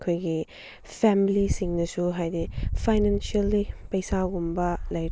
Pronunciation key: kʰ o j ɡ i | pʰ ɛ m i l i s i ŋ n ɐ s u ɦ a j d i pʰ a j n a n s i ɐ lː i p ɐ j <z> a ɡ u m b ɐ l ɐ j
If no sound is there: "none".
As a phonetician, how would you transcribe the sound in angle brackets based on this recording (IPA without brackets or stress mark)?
s